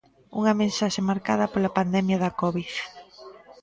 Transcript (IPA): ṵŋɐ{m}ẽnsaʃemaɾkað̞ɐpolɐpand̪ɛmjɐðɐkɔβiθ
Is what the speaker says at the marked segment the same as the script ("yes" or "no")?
yes